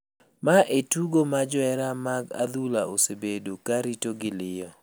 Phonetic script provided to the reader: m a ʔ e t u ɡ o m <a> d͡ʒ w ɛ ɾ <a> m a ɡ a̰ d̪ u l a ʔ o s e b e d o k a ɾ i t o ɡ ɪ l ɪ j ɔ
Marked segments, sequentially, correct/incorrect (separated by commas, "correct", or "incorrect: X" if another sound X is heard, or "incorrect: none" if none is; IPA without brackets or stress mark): correct, correct